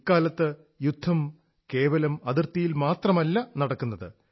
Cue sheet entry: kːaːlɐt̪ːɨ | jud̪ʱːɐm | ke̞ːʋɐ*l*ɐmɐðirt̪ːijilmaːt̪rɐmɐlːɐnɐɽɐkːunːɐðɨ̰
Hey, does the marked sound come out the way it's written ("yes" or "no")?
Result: yes